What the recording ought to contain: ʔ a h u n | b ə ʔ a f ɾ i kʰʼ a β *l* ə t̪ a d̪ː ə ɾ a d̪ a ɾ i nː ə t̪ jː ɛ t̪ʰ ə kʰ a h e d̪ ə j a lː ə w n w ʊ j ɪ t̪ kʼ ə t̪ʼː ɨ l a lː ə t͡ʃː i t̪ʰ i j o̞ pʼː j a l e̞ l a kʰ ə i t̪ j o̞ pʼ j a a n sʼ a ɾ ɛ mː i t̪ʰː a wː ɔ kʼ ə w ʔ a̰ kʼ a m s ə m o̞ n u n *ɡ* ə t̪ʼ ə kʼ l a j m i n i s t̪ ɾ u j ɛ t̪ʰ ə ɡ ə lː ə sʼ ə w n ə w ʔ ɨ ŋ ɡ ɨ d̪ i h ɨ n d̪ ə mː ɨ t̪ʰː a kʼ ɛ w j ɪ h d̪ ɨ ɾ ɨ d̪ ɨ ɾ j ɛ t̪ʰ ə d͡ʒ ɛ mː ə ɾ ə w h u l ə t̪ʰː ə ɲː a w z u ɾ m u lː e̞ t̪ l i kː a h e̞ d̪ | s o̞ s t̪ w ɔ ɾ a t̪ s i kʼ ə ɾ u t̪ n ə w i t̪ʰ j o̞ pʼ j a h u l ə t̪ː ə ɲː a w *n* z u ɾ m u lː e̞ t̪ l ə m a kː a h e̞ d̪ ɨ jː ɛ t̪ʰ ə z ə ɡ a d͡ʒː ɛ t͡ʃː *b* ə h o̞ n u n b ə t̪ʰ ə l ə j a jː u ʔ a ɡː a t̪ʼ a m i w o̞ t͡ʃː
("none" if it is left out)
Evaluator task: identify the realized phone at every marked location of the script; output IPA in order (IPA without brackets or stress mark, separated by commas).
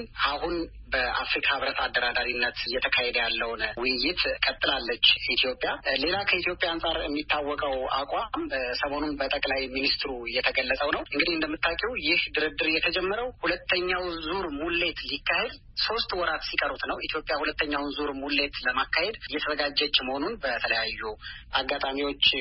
ɾ, b, n, m